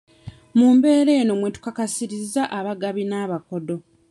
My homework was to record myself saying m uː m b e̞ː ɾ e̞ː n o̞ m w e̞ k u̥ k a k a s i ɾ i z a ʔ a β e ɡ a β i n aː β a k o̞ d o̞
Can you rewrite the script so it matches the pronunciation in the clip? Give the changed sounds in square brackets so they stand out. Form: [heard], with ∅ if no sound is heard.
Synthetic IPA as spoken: m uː m b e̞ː ɾ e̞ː n o̞ m w e̞ [t] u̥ k a k a s i ɾ i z a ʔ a β [a] ɡ a β i n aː β a k o̞ d o̞